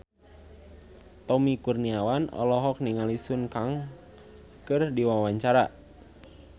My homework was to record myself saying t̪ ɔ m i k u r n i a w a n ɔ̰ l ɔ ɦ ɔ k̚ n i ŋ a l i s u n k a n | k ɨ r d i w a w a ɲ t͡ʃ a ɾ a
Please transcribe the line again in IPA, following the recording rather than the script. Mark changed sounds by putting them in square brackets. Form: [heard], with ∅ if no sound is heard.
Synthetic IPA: t̪ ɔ m i k u r n i a w a n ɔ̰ l ɔ ɦ ɔ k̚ n i ŋ a l i s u n k a [ŋ] | k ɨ r d i w a w a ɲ t͡ʃ a ɾ a